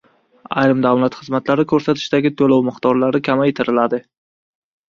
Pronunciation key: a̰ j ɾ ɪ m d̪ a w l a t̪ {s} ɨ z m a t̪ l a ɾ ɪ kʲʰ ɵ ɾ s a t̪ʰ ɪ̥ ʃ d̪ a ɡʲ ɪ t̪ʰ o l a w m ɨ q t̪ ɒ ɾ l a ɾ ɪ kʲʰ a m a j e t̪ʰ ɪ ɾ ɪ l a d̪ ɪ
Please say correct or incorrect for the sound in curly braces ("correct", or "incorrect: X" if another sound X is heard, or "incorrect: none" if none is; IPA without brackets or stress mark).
incorrect: χ